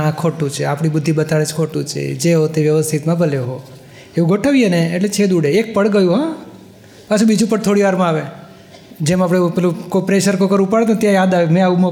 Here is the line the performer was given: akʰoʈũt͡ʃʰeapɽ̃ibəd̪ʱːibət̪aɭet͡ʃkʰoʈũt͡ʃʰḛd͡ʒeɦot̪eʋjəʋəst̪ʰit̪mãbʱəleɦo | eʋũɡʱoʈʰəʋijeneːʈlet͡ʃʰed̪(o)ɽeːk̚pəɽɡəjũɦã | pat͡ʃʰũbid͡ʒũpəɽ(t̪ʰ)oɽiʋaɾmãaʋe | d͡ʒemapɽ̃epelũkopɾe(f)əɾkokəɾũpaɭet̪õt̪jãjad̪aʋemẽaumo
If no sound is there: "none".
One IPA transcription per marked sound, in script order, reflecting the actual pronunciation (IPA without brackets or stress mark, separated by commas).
u, t̪ʰ, ʃ